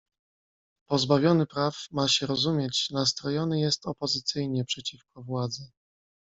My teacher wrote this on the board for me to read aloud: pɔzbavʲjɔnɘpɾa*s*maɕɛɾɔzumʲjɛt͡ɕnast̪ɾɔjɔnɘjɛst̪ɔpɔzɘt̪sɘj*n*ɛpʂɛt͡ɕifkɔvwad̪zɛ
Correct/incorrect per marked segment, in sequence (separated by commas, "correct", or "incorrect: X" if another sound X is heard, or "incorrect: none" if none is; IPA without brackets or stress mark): incorrect: f, incorrect: ɲ